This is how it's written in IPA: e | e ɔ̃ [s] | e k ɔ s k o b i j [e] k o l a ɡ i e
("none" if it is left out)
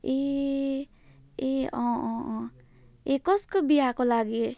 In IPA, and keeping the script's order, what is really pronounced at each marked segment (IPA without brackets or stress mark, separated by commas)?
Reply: none, a